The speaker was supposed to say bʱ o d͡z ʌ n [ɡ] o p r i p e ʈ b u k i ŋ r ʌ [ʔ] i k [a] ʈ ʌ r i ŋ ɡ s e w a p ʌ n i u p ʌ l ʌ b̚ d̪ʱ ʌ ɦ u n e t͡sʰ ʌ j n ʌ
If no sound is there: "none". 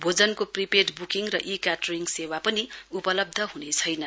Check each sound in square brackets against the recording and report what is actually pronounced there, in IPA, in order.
k, ʔ, a

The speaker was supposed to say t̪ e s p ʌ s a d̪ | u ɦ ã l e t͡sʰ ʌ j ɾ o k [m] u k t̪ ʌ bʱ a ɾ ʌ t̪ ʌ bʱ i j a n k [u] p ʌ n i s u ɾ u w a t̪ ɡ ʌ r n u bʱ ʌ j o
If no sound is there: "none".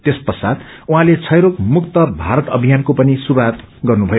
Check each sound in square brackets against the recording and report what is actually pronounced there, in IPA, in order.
m, o

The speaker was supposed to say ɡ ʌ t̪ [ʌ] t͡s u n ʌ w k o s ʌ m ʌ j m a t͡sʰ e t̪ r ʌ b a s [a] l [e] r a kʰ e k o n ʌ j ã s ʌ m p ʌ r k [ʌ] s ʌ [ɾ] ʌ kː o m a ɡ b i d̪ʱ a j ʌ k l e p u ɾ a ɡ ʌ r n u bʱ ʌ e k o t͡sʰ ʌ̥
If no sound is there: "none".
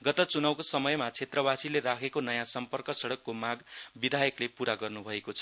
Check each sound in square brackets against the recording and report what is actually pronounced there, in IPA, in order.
ʌ, i, e, ʌ, ɽ

